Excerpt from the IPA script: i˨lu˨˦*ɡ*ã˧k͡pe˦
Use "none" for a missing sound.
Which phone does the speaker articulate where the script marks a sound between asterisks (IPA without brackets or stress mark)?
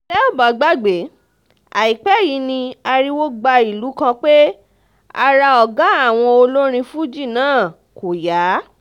k